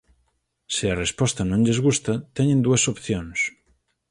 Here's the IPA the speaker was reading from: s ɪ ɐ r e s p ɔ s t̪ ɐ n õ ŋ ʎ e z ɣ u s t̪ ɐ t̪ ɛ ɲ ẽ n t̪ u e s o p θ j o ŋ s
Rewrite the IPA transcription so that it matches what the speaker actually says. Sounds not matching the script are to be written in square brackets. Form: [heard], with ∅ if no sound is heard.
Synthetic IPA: s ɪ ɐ r e s p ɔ s t̪ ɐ n õ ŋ ʎ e z ɣ u s t̪ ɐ t̪ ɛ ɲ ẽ n [d̪] u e s o p θ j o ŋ s

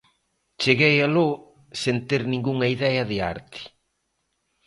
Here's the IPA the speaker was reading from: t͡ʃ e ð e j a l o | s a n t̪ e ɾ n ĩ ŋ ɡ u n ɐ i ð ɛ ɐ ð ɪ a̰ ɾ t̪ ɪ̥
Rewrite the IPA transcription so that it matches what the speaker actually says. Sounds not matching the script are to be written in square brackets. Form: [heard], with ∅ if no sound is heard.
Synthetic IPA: t͡ʃ e [ɣ] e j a l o | s [e] n t̪ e ɾ n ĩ ŋ ɡ u [ŋ] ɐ i ð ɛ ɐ ð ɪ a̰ ɾ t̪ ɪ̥

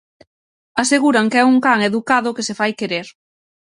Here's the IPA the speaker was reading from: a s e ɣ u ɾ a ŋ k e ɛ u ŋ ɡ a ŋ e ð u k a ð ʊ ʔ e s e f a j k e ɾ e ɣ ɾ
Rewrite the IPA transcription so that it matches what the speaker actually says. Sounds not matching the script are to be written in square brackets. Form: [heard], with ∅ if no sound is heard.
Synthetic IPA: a s e ɣ u ɾ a ŋ k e ɛ u ŋ [k] a ŋ e ð u k a ð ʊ [k] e s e f a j k e ɾ e [∅] ɾ

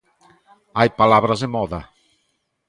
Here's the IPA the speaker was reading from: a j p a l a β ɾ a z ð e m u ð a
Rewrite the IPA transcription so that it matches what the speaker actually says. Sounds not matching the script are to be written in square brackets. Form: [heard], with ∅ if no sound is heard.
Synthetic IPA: a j p a l a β ɾ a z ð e m [ɔ] ð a

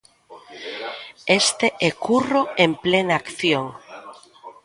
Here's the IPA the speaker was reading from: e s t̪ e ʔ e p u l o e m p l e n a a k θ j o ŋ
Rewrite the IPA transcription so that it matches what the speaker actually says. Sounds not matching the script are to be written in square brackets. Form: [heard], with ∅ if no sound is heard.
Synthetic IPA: e s t̪ e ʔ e [k] u [r] o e m p l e n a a k θ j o ŋ

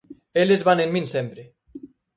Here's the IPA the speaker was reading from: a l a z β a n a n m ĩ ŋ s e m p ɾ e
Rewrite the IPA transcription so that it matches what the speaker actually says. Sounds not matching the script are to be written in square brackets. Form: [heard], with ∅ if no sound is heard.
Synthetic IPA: [e] l [e] z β a n [e] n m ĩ [n] s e m p ɾ e

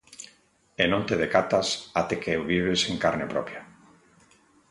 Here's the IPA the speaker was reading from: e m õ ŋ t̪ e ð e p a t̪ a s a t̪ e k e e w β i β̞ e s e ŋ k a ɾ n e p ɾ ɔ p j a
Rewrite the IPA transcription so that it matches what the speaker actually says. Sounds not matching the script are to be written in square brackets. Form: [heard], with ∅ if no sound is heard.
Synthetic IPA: e [n] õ [n] t̪ e ð e [k] a t̪ a s a t̪ e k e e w β i β̞ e s e ŋ k a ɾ n e p ɾ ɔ p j a

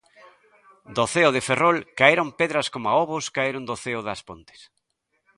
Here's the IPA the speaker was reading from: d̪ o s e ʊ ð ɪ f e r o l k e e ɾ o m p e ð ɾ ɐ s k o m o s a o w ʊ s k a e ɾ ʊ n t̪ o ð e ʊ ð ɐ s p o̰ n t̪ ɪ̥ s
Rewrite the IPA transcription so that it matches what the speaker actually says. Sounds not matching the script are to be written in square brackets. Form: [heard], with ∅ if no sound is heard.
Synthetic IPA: d̪ o [θ] e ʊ ð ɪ f e r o l k [a] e ɾ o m p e ð ɾ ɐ s k o m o [∅] a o [β] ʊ s k a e ɾ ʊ n [d̪] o [θ] e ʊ ð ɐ s p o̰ n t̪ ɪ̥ s

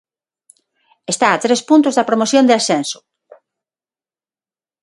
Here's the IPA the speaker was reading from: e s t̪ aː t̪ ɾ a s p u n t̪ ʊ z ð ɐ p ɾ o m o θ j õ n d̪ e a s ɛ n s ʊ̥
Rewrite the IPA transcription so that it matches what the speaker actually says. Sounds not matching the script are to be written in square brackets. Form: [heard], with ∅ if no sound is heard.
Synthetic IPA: e s t̪ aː t̪ ɾ [e] s p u n t̪ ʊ z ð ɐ p ɾ o m o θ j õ n d̪ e a s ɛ n s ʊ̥

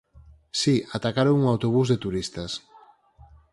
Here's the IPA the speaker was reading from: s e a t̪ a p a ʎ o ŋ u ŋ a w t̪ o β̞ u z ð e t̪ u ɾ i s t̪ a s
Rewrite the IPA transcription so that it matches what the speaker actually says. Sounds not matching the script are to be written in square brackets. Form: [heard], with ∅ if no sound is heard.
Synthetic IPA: s [i] a t̪ a [k] a [ɾ] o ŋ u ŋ a w t̪ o β̞ u z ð e t̪ u ɾ i s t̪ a s

